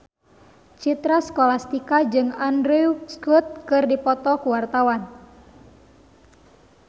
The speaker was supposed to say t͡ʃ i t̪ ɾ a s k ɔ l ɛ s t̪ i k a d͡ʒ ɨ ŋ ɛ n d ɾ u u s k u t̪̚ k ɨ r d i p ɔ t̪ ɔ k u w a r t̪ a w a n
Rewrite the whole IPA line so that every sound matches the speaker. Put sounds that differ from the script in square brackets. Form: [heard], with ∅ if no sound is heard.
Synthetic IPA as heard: t͡ʃ i t̪ ɾ a s k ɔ l [a] s t̪ i k a d͡ʒ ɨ ŋ [a] n d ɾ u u s k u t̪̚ k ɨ r d i p ɔ t̪ ɔ k u w a r t̪ a w a n